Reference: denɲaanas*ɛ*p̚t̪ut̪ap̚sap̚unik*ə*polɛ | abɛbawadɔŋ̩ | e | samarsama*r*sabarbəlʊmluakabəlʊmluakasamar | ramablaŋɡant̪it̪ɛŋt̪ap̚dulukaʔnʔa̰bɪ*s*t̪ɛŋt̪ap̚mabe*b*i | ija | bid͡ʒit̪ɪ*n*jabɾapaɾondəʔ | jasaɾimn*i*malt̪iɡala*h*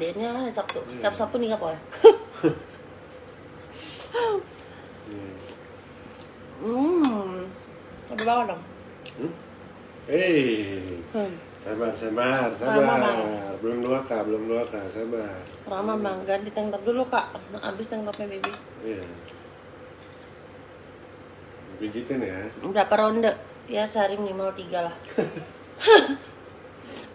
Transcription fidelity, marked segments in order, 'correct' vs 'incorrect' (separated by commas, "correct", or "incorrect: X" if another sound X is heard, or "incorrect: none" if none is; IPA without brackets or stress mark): incorrect: a, incorrect: a, correct, correct, correct, correct, correct, correct